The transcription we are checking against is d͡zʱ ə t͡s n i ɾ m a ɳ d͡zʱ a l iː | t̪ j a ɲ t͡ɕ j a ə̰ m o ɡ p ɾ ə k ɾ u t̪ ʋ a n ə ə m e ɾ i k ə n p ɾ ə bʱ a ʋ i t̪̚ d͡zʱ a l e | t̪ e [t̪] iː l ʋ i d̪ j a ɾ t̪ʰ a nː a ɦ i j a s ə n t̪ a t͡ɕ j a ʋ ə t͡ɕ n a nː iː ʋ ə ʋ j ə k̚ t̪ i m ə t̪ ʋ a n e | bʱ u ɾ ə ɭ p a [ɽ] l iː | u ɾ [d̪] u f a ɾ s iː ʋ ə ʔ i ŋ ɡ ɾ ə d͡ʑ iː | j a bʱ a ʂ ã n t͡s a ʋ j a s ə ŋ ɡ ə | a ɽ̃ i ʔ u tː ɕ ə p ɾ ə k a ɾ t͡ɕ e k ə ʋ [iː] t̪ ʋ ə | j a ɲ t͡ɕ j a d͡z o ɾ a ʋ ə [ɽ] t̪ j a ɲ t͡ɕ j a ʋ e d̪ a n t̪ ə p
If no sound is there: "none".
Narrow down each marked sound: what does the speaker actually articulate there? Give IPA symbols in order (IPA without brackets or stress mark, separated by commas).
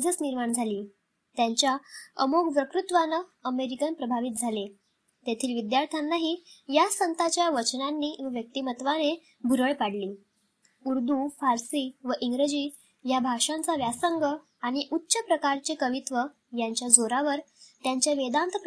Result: t̪ʰ, ɽ, d̪, i, ɾ